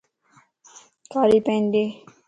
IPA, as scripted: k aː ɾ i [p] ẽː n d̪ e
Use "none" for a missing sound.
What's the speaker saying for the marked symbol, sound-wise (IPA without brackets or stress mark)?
p